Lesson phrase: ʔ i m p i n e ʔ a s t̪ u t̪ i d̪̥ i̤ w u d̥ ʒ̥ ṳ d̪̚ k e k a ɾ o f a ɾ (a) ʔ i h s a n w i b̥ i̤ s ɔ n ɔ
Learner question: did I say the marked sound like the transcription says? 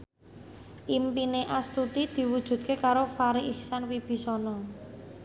no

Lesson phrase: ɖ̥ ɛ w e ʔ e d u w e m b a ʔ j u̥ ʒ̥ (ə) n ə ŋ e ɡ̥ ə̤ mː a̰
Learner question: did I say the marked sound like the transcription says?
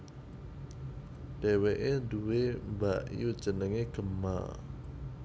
yes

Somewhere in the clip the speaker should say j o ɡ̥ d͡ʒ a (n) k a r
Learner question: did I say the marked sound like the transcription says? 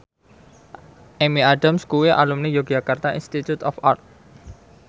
no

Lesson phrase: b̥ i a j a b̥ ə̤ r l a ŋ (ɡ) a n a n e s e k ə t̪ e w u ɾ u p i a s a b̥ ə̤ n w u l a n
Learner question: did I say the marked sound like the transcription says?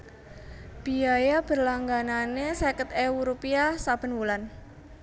yes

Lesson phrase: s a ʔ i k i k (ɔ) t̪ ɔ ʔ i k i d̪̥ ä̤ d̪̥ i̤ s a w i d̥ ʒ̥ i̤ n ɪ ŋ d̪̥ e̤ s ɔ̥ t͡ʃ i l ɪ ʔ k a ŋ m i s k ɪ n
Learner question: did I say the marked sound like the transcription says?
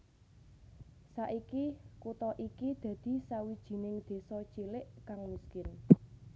no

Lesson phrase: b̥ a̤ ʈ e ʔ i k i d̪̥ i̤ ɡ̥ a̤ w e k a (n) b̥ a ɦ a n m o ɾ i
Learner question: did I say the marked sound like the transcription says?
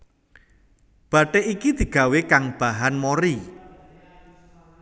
no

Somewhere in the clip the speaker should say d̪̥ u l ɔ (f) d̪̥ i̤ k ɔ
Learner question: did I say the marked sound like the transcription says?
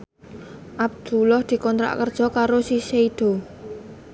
no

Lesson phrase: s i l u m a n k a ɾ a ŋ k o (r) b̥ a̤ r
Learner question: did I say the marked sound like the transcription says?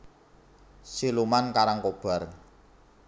no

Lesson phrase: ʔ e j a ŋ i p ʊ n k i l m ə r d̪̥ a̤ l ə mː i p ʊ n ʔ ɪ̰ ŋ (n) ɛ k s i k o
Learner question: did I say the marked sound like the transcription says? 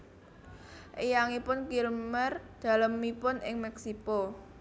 no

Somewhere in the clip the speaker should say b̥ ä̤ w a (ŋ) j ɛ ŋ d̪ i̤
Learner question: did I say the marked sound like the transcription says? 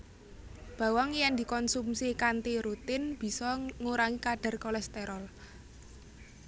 yes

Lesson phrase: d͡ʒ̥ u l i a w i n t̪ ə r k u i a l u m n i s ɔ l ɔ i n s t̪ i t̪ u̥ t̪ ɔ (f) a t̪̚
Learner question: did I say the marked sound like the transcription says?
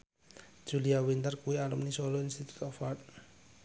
yes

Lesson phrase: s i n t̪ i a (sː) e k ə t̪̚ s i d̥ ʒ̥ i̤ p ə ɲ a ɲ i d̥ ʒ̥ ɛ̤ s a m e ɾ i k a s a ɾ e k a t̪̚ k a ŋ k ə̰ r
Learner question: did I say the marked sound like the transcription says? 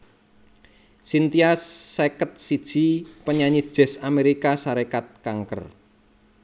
yes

